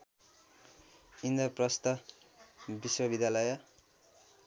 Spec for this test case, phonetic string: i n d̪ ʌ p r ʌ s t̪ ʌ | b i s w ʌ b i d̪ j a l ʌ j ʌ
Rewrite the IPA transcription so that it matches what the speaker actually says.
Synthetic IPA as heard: i n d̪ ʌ p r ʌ s t̪ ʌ | b i s w ʌ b i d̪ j a l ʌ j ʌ